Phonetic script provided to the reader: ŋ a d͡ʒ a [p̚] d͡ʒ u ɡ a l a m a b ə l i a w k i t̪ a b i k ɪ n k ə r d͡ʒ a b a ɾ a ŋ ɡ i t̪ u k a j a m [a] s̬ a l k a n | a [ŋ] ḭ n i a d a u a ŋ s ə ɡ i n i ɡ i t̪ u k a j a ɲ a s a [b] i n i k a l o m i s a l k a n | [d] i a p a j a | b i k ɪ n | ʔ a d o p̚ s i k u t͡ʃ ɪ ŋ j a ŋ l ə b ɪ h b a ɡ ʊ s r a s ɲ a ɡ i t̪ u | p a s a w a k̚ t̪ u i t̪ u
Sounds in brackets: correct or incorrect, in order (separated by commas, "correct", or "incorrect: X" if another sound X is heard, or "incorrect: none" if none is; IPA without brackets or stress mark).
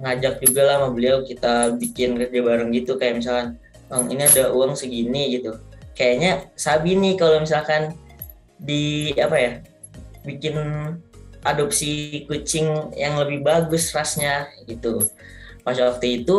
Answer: incorrect: k̚, incorrect: i, correct, correct, correct